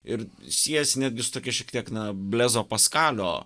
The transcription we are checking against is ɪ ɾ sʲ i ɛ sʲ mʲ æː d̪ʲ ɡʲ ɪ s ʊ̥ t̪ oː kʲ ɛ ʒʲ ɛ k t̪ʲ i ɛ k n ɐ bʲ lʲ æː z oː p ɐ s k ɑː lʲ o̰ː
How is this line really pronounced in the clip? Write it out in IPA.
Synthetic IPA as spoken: ɪ ɾ sʲ i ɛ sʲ nʲ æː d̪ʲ ɡʲ ɪ s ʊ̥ t̪ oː kʲ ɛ ʃʲ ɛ k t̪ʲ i ɛ k n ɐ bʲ lʲ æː z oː p ɐ s k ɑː lʲ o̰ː